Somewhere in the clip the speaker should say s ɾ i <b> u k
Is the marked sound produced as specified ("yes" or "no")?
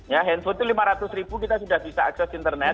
yes